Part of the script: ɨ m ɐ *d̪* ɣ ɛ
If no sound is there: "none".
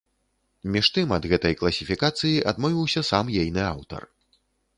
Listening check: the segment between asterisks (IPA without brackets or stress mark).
d̪